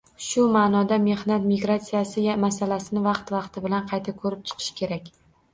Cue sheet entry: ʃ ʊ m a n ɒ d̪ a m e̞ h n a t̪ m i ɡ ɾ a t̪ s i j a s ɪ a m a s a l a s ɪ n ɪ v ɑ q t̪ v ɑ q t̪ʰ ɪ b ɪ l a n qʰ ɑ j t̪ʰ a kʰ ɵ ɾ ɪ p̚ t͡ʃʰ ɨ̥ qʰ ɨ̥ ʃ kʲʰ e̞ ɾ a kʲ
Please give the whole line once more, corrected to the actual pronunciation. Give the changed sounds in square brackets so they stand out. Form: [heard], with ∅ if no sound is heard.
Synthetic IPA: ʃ ʊ m a n ɒ d̪ a m e̞ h n a t̪ m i ɡ ɾ a t̪ s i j a s ɪ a m a s a l a s ɪ n ɪ v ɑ q t̪ v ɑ q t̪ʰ ɪ b ɪ l a n qʰ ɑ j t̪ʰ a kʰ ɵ ɾ ɪ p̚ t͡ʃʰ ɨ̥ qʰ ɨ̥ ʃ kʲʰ e̞ ɾ a kʲ